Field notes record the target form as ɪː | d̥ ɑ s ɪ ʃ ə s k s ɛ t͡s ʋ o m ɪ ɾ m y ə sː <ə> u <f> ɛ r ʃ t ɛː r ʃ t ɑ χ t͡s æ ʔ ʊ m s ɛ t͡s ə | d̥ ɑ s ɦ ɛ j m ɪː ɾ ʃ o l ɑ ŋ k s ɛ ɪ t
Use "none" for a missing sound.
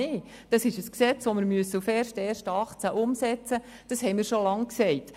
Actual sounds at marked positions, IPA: ə, f

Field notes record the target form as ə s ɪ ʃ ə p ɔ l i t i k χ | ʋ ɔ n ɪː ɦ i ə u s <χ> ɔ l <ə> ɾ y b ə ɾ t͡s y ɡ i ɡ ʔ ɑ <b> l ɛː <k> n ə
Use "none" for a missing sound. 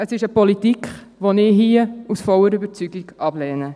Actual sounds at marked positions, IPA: f, ə, b, none

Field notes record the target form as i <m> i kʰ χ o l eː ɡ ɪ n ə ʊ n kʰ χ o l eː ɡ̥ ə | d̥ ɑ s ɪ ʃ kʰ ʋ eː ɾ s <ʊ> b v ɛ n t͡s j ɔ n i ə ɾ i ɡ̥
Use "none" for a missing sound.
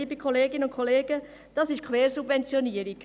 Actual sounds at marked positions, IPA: b, u

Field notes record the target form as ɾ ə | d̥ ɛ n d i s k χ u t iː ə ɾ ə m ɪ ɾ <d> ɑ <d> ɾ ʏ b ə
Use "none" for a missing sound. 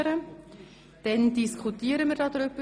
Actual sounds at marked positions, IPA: d, d

